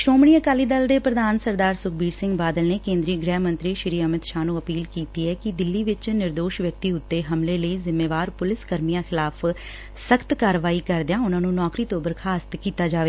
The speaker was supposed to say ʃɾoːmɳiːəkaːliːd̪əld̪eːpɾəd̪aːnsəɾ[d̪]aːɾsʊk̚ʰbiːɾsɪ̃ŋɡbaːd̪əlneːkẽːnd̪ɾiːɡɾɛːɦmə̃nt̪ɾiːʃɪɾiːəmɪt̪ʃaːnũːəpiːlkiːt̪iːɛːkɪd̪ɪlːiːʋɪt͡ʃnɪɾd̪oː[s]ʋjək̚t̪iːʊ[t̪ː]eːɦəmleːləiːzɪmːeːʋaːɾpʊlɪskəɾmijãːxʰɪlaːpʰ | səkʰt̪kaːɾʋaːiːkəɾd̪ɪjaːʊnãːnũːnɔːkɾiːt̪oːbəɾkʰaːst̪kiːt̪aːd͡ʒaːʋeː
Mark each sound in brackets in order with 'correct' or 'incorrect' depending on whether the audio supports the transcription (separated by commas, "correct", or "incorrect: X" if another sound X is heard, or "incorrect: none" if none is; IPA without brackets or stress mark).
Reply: correct, incorrect: ʃ, correct